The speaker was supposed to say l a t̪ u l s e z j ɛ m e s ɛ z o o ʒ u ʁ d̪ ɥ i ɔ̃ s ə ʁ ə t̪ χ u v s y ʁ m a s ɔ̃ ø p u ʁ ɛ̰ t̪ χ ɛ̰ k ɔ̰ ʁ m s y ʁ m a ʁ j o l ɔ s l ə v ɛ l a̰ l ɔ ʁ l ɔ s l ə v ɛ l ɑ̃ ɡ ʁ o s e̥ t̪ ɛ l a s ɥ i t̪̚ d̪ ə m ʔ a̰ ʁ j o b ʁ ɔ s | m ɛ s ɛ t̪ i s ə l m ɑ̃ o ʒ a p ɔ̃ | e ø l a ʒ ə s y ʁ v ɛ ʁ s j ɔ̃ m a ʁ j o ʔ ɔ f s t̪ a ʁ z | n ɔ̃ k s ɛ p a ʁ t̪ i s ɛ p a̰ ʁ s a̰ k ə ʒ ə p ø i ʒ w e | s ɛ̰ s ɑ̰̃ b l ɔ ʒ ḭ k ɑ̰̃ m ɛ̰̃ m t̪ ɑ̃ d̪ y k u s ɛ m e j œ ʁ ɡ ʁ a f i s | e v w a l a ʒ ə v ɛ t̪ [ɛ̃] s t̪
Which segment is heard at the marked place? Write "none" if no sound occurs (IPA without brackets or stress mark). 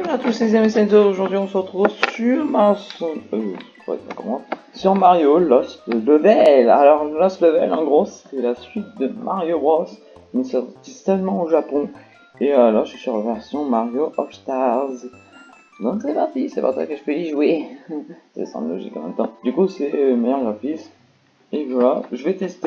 ɛ